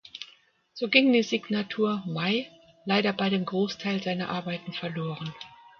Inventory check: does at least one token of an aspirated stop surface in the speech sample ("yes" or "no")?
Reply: yes